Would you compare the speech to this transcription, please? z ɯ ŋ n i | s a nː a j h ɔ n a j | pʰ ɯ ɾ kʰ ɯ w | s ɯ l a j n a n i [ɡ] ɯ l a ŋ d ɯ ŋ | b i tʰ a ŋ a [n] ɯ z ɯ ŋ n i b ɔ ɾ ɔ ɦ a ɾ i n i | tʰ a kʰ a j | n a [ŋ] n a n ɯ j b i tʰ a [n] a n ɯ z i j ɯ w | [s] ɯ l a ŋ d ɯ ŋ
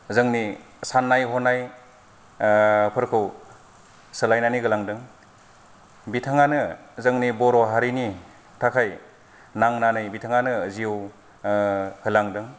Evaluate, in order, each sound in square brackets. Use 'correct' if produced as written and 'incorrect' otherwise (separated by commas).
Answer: correct, correct, correct, incorrect, incorrect